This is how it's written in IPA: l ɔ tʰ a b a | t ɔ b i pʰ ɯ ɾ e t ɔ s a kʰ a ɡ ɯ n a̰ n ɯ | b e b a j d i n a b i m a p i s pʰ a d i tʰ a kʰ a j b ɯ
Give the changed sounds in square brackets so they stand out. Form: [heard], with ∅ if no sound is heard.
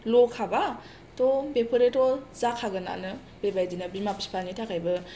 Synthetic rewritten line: l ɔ [kʰ] a b a | t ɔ b [e] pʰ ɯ ɾ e t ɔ [z] a kʰ a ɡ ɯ n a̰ n ɯ | b e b a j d i n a b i m a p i s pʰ a [n] i tʰ a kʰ a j b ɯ

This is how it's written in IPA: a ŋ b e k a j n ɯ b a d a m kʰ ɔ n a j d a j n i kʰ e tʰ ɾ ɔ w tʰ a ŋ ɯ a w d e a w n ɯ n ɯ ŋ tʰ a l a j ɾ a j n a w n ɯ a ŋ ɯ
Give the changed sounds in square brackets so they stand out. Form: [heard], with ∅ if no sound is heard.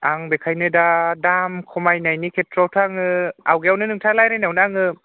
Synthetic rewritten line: a ŋ b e [kʰ] a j n ɯ [d] a d a m kʰ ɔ [m] a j [n] a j n i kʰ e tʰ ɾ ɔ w tʰ a ŋ ɯ a w [ɡ] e a w n ɯ n ɯ ŋ tʰ a l a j ɾ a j n a w n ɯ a ŋ ɯ

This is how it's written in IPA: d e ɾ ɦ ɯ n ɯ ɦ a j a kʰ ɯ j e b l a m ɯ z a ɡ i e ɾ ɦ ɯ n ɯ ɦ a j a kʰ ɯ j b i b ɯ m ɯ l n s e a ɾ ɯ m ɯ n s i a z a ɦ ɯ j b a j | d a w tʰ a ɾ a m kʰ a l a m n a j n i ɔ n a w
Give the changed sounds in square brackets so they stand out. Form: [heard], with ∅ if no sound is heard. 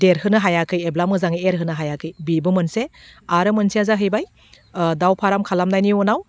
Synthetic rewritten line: d e ɾ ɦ ɯ n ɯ ɦ a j a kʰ ɯ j e b l a m ɯ z a [ŋ] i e ɾ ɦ ɯ n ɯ ɦ a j a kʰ ɯ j b i b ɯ m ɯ [∅] n s e a ɾ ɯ m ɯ n s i a z a ɦ ɯ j b a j | d a w [pʰ] a ɾ a m kʰ a l a m n a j n i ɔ n a w

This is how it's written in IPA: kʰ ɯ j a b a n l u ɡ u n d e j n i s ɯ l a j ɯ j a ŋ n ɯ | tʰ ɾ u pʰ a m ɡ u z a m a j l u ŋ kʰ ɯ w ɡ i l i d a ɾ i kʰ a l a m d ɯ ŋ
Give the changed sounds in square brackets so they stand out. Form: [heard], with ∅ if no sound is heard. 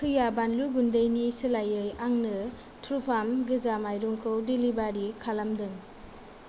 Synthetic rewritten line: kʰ ɯ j a b a n l u ɡ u n d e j n i s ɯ l a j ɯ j a ŋ n ɯ | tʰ ɾ u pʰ a m ɡ [ɯ] z a m a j [ɾ] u ŋ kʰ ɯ w [d] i l i [b] a ɾ i kʰ a l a m d ɯ ŋ

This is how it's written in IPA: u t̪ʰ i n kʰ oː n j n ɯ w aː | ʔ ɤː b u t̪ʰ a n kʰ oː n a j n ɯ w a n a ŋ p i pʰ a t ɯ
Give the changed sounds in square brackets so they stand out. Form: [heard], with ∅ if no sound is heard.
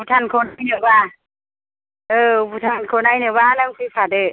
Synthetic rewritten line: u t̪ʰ [a] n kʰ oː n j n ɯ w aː | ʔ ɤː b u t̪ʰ a n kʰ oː n a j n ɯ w a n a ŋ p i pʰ a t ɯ

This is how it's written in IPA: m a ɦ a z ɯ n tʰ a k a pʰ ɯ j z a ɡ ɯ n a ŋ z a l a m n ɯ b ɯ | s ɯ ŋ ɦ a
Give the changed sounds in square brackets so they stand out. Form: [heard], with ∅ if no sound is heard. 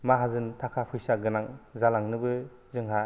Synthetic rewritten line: m a ɦ a z ɯ n tʰ a [kʰ] a pʰ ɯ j [s] a ɡ ɯ n a ŋ z a l a [ŋ] n ɯ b ɯ | [z] ɯ ŋ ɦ a

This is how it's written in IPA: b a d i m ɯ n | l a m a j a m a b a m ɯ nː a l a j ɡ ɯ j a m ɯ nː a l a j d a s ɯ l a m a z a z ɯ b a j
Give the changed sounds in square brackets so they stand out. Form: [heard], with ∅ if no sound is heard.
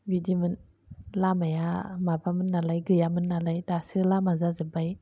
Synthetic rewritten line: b [i] d i m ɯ n | l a m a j a m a b a m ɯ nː a l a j ɡ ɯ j a m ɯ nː a l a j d a s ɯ l a m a z a z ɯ b a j

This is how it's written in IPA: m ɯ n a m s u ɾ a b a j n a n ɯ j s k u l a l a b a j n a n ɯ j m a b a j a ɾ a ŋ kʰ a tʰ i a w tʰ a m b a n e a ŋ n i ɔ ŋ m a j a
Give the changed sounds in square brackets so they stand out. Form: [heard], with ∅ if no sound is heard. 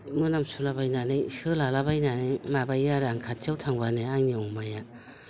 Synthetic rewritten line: m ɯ n a m s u [l] a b a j n a n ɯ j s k [ɯ] l a l a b a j n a n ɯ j m a b a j a ɾ a ŋ kʰ a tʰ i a w tʰ a [ŋ] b a n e a ŋ n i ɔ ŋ m a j a

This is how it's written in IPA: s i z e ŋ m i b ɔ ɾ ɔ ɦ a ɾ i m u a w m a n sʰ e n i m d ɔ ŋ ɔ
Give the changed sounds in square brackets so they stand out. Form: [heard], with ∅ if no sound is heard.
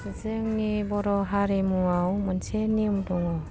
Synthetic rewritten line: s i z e ŋ [n] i b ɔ ɾ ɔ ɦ a ɾ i m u a w m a n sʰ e n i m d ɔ ŋ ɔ

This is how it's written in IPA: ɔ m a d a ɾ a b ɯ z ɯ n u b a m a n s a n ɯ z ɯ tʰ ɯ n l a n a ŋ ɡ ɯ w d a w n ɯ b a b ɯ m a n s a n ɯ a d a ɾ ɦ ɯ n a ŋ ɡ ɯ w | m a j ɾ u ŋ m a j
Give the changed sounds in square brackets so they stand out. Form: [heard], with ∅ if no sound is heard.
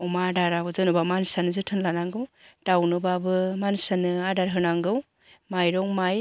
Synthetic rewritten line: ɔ m a d a ɾ a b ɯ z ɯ n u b a m a n s a n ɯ z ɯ tʰ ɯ n l a n a ŋ ɡ ɯ w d a w n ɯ b a b ɯ m a n s a n ɯ a d a ɾ ɦ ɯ n a ŋ ɡ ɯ w | m a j ɾ [ɔ] ŋ m a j

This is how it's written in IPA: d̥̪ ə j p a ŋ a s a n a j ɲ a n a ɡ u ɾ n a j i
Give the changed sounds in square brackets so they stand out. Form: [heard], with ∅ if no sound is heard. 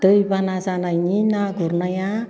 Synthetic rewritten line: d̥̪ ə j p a [n] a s a n a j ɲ [i] n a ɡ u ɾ n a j [a]

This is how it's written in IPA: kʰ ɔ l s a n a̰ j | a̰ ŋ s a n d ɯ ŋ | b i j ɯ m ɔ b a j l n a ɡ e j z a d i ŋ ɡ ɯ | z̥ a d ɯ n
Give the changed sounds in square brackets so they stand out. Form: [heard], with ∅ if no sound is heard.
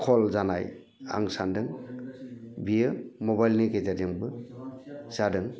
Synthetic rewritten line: kʰ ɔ l [z] a n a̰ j | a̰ ŋ s a n d ɯ ŋ | b i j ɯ m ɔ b a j l n [i] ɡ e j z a d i ŋ [b] ɯ | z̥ a d ɯ [ŋ]

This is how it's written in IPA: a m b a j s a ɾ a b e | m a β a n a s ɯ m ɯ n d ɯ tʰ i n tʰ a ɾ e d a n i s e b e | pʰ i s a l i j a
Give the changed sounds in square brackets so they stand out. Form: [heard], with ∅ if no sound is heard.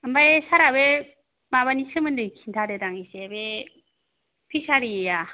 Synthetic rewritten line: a m b a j s a ɾ a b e | m a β a n [i] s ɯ m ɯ n d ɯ [kʰ] i n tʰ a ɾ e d a [ŋ] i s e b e | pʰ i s a [ɾ] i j a

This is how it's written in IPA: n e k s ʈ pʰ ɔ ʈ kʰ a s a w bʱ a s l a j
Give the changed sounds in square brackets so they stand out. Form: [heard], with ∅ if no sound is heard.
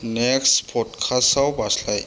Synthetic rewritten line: n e k s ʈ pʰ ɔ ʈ kʰ a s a w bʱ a s l a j

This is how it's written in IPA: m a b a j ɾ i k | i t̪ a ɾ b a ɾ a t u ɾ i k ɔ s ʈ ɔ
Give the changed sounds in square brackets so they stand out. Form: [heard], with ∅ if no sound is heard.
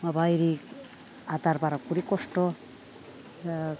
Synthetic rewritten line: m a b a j ɾ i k | [a] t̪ a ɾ b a ɾ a [k] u ɾ i k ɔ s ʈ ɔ

